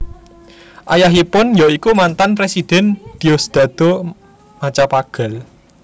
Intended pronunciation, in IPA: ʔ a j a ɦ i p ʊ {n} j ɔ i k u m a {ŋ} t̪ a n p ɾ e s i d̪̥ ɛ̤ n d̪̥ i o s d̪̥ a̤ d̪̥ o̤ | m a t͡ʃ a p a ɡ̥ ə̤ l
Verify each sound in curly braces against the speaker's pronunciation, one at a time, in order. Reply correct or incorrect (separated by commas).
correct, incorrect